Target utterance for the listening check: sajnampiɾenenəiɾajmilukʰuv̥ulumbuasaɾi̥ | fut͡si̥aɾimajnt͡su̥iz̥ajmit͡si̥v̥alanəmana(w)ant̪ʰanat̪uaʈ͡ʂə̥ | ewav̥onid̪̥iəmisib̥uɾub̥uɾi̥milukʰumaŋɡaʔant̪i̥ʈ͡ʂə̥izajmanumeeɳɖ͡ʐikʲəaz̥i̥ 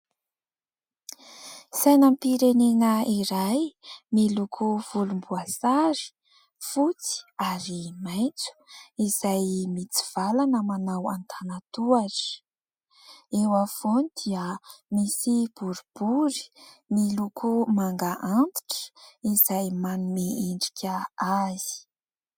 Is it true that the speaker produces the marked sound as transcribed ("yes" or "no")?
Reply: yes